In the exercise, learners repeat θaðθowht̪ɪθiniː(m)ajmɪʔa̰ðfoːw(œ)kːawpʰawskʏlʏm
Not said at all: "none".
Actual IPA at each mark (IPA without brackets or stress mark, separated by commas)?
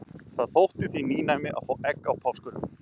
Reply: n, ɛ